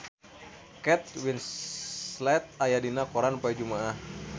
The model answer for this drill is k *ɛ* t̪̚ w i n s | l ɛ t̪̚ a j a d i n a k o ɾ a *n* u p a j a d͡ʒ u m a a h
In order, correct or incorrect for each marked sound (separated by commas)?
correct, correct